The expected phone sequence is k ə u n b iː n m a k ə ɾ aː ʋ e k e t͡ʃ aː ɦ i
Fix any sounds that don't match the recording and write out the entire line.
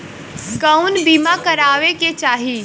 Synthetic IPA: k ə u n b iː m a k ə ɾ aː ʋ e k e t͡ʃ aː ɦ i